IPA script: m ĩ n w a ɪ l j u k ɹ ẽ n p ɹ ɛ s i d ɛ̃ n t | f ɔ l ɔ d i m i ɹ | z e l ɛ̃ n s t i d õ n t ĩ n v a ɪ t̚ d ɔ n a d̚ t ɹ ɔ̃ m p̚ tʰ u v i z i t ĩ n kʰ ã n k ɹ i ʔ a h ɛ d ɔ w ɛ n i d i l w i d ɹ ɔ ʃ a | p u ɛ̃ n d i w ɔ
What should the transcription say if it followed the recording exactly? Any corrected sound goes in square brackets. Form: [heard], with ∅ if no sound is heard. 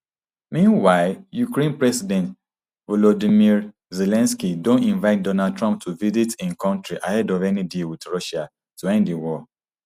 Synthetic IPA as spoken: m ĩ n w a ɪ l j u k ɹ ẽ n p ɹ ɛ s i d ɛ̃ n t | [v] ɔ l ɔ d i m i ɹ | z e l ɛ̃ n s [k] i d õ n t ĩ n v a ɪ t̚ d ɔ n a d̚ t ɹ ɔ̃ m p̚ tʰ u v i z i t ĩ n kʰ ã n [t] ɹ i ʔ a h ɛ d ɔ [v] ɛ n i d i l w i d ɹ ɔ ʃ a | [t] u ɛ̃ n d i w ɔ